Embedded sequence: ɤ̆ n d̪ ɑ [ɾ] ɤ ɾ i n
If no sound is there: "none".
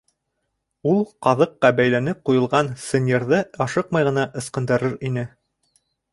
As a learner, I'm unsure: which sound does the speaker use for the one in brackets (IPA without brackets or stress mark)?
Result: ɾ